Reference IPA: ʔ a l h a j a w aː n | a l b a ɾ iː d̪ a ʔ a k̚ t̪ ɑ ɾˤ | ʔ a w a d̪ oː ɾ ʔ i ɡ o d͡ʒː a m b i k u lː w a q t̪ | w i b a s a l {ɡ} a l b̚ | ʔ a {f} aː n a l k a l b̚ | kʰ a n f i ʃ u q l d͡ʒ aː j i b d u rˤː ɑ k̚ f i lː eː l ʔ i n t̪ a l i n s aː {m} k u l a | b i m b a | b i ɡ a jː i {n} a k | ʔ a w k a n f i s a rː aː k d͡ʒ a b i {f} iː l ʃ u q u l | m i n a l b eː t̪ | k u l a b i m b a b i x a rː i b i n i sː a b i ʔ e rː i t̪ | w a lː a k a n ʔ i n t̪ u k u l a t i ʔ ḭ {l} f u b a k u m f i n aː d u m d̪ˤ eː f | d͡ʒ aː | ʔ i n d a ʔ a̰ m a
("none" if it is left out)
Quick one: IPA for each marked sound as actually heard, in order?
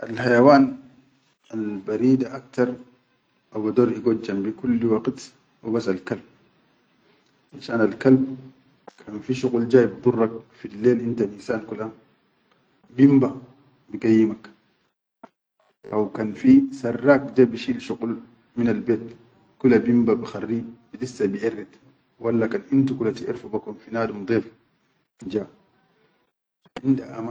k, ʃ, n, m, ʃ, ɾ

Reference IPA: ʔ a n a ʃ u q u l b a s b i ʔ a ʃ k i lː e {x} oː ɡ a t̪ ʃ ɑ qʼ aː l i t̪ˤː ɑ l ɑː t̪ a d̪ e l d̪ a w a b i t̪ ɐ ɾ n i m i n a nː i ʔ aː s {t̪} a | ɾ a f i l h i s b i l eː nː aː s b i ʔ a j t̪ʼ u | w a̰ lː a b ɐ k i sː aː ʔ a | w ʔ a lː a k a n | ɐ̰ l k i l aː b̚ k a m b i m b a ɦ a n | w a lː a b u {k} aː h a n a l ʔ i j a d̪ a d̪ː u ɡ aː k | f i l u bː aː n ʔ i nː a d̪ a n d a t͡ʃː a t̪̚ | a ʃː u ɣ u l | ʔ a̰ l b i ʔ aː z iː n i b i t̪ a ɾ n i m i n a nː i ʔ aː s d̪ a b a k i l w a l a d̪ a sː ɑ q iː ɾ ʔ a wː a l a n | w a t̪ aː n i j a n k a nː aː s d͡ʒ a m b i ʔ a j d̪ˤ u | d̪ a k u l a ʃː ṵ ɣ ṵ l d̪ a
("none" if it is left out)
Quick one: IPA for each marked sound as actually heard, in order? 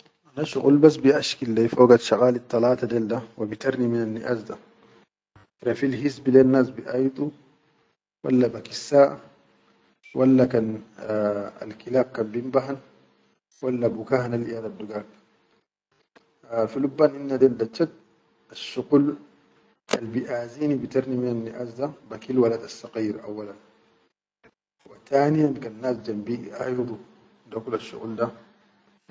f, d̪, k

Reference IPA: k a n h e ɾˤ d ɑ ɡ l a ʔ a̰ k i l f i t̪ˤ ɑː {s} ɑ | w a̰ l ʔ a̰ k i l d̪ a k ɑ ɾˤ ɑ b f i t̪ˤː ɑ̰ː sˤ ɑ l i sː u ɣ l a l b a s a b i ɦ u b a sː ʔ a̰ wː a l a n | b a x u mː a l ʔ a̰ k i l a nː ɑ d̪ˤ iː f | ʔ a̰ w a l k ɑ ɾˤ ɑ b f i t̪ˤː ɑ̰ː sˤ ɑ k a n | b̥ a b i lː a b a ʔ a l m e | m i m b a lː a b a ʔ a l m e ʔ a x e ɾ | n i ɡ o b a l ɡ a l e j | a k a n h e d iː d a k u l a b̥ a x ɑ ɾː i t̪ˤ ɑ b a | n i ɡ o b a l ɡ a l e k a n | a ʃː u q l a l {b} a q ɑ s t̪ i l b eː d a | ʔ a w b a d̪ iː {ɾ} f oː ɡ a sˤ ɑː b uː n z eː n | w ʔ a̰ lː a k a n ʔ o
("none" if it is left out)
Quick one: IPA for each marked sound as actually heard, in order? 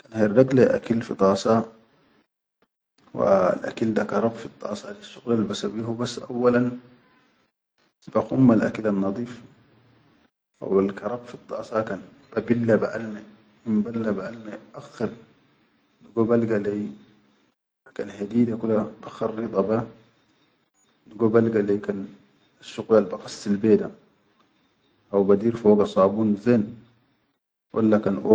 s, b, ɾ

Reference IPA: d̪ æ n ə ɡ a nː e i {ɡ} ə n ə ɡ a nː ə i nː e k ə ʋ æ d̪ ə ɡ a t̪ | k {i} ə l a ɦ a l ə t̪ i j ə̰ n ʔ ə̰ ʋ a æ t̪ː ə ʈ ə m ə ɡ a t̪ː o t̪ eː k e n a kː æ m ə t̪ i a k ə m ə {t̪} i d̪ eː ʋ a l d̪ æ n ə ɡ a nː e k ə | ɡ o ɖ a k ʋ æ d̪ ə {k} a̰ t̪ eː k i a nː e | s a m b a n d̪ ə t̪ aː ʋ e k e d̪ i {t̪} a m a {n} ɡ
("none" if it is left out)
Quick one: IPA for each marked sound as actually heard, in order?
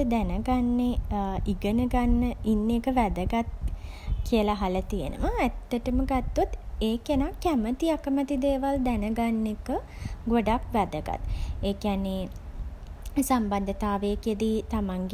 ɡ, i, t̪, ɡ, t̪, ŋ

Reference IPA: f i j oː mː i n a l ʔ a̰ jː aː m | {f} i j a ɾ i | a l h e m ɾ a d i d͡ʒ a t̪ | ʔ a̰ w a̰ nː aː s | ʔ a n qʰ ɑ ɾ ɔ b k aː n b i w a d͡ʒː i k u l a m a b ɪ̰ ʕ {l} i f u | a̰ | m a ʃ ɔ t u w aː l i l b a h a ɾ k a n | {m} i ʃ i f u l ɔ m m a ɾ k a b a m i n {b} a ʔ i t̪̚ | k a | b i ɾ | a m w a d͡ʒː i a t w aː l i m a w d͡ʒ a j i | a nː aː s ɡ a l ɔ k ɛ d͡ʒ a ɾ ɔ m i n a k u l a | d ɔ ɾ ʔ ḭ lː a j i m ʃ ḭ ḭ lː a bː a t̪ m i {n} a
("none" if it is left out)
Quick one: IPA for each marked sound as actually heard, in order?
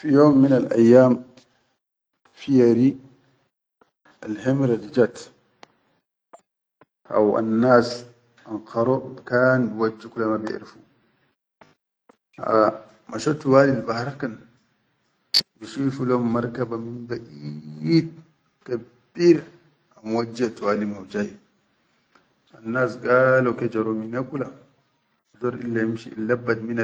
f, ɾ, b, b, n

